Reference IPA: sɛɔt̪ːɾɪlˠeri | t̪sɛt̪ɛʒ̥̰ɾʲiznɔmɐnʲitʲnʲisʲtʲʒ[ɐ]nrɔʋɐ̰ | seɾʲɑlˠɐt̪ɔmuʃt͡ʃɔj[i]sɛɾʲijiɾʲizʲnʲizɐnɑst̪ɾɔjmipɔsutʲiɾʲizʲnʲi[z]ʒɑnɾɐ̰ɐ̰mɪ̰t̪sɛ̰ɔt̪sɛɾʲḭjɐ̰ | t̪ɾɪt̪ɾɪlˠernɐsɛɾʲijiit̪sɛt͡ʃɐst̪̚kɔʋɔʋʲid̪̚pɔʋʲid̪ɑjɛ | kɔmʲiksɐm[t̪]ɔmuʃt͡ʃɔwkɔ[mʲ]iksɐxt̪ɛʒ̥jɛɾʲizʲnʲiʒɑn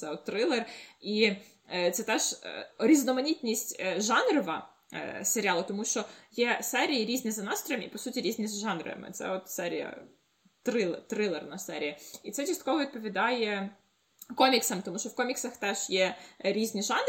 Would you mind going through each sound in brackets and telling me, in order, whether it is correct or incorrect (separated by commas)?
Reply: incorrect, incorrect, correct, correct, correct